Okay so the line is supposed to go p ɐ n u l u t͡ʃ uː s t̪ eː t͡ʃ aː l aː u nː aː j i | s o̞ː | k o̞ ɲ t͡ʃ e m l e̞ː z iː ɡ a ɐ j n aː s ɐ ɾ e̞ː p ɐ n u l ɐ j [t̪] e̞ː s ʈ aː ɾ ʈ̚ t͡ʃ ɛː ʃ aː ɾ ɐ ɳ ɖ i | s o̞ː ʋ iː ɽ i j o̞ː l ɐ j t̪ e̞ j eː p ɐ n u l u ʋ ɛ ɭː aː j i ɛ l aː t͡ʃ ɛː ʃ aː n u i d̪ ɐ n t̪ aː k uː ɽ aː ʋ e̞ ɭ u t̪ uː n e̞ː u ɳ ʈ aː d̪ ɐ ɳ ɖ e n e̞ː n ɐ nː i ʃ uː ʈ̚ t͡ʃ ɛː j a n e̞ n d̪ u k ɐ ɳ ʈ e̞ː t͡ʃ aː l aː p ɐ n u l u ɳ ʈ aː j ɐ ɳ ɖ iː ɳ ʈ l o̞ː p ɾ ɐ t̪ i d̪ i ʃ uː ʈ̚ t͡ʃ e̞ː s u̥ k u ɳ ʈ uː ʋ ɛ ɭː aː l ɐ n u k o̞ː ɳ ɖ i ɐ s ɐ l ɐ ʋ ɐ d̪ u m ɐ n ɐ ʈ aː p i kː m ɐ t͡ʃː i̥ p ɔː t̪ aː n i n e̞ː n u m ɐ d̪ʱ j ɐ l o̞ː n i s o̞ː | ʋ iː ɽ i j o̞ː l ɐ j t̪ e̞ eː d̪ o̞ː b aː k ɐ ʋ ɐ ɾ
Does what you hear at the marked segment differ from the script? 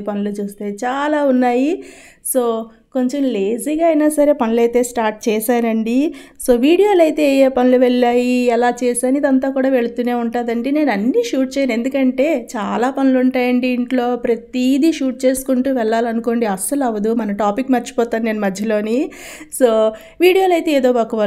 no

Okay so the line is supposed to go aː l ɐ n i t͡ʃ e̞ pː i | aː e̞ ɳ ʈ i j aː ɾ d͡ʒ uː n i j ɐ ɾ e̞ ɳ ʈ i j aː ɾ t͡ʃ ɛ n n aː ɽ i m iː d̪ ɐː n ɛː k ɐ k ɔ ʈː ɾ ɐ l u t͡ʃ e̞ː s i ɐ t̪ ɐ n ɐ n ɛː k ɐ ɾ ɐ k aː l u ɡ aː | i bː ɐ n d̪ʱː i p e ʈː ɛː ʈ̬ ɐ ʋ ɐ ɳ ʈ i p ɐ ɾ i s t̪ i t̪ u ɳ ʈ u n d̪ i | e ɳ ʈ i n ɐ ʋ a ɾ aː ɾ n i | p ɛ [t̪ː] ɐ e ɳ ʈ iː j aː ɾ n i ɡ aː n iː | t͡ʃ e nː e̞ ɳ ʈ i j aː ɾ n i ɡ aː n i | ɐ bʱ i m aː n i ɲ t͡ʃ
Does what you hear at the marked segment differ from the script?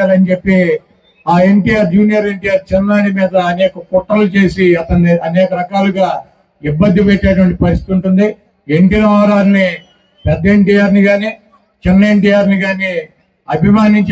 yes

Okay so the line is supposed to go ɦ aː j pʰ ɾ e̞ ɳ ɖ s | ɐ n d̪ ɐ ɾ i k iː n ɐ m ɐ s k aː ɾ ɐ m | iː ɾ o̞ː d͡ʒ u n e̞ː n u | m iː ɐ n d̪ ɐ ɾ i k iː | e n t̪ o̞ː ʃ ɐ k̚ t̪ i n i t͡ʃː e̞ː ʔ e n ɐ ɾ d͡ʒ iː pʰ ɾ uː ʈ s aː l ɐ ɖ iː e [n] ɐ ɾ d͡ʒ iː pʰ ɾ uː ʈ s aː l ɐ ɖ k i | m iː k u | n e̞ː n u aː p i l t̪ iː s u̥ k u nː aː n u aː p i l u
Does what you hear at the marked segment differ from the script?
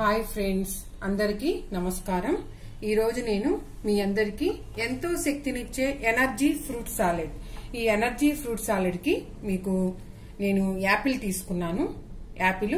no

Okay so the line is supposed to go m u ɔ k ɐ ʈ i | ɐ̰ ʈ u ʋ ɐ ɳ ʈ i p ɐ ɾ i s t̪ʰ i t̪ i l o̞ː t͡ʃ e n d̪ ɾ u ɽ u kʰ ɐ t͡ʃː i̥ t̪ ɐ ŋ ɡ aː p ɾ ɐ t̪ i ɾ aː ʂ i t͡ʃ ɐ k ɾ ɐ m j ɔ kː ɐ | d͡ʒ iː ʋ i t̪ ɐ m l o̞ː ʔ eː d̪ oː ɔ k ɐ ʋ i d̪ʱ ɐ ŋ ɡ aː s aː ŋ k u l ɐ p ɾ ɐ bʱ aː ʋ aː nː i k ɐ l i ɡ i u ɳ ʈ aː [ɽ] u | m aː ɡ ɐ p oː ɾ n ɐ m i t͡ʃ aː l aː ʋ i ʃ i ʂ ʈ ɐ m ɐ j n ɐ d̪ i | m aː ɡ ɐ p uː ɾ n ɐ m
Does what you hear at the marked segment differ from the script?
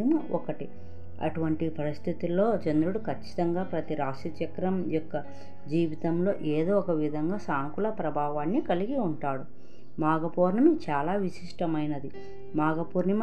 no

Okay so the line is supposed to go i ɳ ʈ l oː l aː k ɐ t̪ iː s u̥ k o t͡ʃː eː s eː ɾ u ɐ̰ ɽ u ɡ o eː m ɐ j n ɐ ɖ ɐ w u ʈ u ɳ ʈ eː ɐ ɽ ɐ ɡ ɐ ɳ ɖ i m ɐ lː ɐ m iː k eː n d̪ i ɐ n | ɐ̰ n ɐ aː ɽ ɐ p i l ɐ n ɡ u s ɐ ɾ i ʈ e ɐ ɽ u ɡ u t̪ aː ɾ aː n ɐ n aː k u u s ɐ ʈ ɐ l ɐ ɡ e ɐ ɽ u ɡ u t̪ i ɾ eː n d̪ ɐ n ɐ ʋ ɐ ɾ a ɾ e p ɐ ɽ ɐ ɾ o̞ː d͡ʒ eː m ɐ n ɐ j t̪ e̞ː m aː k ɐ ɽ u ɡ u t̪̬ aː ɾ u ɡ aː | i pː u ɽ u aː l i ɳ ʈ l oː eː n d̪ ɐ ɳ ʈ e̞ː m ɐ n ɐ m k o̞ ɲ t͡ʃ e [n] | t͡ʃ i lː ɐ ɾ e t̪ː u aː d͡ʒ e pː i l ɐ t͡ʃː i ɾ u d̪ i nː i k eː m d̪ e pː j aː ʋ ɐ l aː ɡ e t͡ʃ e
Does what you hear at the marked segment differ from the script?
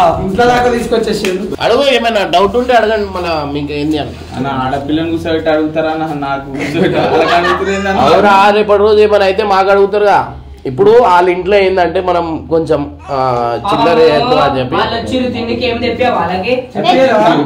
yes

